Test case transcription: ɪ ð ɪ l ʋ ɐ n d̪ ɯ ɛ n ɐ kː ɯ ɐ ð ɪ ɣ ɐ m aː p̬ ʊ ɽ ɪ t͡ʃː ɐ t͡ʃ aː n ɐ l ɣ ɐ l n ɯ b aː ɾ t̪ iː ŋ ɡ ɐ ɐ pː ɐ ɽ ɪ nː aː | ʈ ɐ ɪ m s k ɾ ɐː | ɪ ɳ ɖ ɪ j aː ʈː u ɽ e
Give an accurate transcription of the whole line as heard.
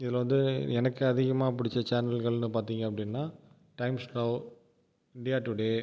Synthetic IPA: ɪ ð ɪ l ʋ ɐ n d̪ ɯ ɛ n ɐ kː ɯ ɐ ð ɪ ɣ ɐ m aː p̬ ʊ ɽ ɪ t͡ʃː ɐ t͡ʃ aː n ɐ l ɣ ɐ ɭ n ɯ p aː ɾ t̪ iː ŋ ɡ ɐ ɐ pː ɐ ɽ ɪ nː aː | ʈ ɐ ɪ m s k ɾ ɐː | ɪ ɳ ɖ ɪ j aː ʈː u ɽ e